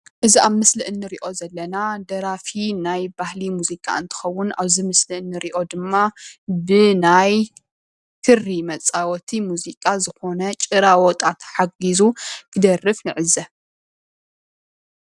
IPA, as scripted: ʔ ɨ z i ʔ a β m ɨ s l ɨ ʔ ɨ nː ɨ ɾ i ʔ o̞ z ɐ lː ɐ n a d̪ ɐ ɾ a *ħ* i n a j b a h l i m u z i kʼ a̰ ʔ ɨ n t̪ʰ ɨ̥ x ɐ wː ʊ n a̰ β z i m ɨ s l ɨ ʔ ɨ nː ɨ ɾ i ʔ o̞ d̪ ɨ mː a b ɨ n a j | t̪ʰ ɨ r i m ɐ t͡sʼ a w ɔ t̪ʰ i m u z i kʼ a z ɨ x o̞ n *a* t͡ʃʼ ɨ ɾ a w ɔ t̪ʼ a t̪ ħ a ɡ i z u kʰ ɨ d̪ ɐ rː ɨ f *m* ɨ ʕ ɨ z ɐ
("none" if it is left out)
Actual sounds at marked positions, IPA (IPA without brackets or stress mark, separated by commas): f, ɐ, n